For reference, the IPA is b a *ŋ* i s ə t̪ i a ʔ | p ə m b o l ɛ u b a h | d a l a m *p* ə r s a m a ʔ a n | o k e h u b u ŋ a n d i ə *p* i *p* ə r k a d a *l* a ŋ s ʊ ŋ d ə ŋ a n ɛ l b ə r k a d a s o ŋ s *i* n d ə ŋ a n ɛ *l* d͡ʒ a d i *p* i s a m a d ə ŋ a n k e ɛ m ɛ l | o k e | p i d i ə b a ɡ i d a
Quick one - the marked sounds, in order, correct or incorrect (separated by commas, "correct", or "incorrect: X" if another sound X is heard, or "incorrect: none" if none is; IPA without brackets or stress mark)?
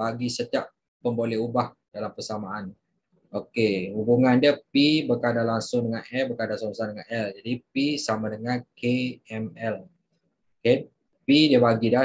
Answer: incorrect: ɡ, correct, correct, incorrect: b, correct, incorrect: a, correct, correct